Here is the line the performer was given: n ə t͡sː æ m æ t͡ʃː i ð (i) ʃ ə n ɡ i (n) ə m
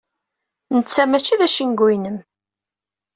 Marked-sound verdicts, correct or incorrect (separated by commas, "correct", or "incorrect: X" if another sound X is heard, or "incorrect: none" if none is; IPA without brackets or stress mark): incorrect: æ, correct